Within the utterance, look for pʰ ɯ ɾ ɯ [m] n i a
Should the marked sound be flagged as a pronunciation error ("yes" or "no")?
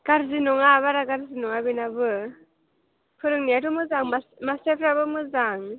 yes